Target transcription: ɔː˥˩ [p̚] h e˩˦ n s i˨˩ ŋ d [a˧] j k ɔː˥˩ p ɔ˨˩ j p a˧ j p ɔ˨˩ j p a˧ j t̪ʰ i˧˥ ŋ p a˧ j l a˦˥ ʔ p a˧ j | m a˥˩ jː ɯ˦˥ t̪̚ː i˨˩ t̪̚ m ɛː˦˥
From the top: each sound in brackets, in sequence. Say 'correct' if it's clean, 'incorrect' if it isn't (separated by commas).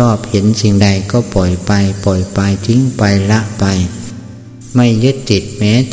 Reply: correct, correct